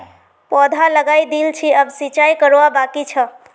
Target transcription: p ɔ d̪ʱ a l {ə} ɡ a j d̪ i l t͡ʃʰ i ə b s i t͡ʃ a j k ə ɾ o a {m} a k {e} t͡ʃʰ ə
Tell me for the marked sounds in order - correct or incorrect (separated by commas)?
correct, incorrect, incorrect